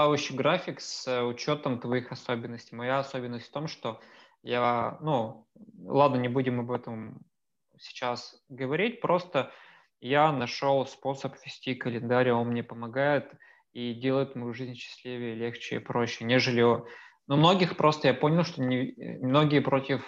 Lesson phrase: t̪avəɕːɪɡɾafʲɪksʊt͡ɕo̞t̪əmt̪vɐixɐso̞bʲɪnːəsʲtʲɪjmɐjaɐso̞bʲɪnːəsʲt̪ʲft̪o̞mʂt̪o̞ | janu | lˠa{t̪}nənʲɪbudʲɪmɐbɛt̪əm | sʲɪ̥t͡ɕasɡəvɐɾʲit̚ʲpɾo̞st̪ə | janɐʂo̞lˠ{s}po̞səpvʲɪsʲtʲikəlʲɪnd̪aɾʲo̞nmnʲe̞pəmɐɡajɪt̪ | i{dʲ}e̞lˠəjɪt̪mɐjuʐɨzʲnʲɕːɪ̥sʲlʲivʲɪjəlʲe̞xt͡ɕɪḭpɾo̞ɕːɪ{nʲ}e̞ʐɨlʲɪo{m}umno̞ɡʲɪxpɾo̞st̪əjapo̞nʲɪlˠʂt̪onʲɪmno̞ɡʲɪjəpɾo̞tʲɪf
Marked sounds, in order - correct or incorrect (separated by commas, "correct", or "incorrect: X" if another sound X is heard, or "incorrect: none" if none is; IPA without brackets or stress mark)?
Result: incorrect: d̪, correct, correct, correct, incorrect: n